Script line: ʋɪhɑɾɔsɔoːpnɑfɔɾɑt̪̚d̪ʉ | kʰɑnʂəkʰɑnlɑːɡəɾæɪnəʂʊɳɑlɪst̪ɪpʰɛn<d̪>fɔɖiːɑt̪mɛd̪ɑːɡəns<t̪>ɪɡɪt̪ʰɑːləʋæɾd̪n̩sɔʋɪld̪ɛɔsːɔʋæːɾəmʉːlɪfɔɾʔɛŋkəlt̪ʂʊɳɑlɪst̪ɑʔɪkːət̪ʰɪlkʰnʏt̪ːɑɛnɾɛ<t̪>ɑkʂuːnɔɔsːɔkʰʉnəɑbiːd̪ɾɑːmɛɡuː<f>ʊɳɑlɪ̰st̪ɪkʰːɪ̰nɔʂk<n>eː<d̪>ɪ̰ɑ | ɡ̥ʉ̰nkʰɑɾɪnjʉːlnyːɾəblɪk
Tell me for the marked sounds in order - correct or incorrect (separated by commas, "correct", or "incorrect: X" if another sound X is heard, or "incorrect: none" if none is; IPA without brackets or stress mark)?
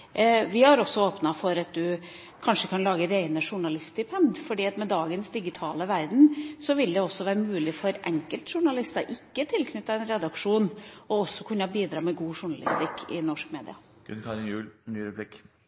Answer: correct, incorrect: d̪, incorrect: d̪, incorrect: ʂ, incorrect: m, correct